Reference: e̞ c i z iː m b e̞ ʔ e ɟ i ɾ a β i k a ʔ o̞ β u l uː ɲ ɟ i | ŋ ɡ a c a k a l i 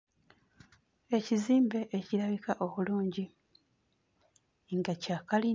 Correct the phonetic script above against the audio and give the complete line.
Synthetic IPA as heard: e̞ c i z iː m b e̞ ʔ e c i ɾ a β i k a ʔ o̞ β u l uː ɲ ɟ i | ŋ ɡ a c a k a l i

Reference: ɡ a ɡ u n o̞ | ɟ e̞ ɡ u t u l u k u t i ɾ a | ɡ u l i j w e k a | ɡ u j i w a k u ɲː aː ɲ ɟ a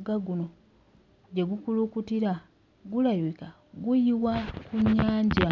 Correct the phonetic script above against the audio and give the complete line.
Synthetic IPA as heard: ɡ a ɡ u n o̞ | ɟ e̞ ɡ u k u l u k u t i ɾ a | ɡ u l a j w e k a | ɡ u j i w a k u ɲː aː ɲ ɟ a

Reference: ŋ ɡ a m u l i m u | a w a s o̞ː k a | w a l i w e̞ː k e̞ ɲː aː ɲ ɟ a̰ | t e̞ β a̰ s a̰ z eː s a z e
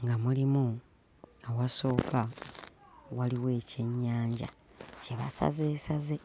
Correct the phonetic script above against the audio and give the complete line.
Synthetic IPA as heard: ŋ ɡ a m u l i m u | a w a s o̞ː k a | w a l i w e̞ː c e̞ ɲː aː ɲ ɟ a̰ | c e̞ β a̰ s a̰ z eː s a z e

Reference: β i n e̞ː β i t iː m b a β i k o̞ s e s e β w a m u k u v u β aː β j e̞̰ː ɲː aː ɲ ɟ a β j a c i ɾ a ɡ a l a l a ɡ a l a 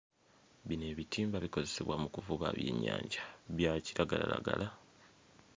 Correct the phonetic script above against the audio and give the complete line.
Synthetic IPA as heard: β i n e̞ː β i t iː m b a β i k o̞ z e s e β w a m u k u v u β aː β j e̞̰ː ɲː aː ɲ ɟ a β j a c i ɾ a ɡ a l a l a ɡ a l a

